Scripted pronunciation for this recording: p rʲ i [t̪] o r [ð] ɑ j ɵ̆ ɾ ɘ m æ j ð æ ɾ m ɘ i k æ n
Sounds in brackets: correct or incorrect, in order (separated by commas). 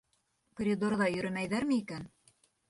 incorrect, correct